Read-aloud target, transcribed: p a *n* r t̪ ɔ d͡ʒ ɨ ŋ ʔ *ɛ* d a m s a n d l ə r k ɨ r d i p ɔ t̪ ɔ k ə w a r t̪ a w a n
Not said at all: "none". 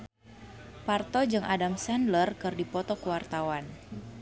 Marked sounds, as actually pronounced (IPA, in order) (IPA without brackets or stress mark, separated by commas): none, a